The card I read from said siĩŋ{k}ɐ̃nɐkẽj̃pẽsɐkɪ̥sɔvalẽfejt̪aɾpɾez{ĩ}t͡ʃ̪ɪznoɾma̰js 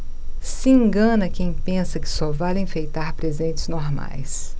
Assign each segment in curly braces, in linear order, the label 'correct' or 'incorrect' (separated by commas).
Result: incorrect, incorrect